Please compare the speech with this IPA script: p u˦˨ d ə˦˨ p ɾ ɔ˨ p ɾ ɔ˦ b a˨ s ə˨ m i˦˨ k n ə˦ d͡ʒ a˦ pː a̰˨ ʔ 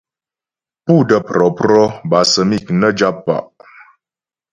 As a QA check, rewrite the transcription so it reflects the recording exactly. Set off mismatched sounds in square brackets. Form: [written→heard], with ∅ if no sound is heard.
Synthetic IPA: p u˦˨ d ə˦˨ p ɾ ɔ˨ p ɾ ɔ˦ b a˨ s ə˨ m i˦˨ k n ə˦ d͡ʒ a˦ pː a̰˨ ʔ

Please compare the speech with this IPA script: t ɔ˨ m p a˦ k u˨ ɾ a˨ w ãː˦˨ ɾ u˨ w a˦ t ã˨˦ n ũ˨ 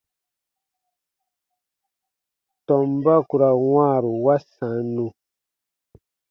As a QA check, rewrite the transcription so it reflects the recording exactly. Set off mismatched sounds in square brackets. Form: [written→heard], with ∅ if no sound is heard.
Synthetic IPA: t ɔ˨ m [p→b] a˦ k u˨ ɾ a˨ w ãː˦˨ ɾ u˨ w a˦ [t→s] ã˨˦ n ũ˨

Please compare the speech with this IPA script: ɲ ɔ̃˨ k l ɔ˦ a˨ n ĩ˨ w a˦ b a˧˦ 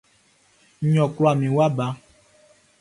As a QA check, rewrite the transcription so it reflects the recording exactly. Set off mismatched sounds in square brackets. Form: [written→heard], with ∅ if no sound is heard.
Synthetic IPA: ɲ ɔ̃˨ k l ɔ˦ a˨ [n→m] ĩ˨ w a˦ b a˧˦

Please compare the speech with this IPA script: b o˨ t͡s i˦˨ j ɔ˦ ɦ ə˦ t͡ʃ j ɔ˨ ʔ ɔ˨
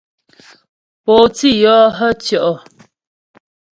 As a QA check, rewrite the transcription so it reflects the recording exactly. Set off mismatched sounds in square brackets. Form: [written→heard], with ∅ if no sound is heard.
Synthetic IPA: [b→p] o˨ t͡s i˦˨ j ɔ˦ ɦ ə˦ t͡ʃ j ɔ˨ ʔ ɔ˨

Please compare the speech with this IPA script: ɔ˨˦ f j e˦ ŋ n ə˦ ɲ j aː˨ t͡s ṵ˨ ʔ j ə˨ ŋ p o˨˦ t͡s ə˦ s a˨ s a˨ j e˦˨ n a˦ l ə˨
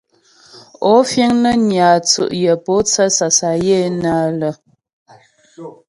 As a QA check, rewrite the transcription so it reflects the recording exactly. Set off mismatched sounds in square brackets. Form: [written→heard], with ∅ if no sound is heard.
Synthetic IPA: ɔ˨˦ f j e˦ ŋ n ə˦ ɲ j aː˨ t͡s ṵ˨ ʔ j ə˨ [ŋ→∅] p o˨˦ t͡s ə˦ s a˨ s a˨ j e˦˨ n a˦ l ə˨

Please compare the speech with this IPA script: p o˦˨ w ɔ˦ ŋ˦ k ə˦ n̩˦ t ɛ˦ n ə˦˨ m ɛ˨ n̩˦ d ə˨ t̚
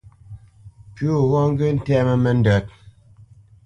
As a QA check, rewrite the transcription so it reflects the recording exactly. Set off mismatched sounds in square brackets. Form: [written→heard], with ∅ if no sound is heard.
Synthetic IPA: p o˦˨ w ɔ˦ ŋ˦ [k→ɡ] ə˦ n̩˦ t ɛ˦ [n→m] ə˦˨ m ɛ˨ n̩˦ d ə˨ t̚

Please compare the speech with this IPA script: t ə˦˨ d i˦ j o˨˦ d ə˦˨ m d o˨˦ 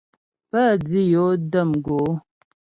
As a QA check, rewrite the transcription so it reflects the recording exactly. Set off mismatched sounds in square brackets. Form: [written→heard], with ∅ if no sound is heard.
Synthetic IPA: [t→p] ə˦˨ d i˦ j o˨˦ d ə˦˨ m [d→ɡ] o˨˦

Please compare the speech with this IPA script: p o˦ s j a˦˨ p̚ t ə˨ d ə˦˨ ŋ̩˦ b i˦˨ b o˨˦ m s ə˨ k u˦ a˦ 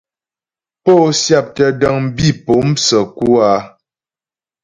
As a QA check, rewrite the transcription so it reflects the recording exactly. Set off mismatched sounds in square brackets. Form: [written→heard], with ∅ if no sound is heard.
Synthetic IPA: p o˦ s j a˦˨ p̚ t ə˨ d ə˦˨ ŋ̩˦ b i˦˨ [b→p] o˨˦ m s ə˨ k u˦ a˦

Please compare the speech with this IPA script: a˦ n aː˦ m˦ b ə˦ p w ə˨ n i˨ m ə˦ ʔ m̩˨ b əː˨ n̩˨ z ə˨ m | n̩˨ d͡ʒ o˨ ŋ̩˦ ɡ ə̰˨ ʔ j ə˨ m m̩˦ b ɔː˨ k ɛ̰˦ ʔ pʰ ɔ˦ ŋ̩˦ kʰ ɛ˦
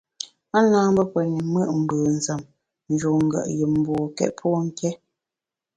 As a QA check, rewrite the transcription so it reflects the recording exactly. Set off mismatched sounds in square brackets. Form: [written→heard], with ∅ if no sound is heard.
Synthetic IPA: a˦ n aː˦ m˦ b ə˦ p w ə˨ n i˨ m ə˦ ʔ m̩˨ b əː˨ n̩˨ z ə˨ m | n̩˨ d͡ʒ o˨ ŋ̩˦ ɡ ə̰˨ ʔ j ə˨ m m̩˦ b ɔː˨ k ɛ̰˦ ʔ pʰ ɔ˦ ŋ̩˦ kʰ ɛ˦

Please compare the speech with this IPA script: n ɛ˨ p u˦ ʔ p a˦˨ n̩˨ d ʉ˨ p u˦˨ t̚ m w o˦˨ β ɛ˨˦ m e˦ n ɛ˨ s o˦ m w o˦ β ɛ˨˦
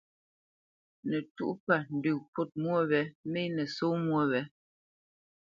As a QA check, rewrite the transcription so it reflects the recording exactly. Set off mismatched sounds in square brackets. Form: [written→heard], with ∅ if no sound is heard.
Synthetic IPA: n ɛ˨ [p→t] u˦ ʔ p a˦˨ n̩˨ d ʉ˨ p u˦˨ t̚ m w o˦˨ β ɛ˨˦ m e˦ n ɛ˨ s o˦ m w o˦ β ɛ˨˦

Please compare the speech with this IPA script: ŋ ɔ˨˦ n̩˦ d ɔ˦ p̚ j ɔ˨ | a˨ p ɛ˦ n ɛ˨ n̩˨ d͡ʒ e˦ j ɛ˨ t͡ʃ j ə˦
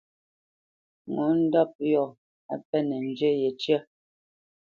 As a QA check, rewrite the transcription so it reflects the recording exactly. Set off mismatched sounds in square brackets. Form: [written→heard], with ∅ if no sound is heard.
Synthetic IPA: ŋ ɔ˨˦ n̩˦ d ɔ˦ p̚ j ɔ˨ | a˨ p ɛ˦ n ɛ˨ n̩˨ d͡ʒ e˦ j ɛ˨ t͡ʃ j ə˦

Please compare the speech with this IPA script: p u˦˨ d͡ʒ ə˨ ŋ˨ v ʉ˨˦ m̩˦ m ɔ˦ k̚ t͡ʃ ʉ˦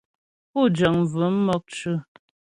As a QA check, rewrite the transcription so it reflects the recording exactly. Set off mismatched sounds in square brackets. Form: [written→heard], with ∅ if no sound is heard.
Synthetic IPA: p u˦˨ d͡ʒ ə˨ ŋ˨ v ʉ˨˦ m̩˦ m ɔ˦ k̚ t͡ʃ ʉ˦

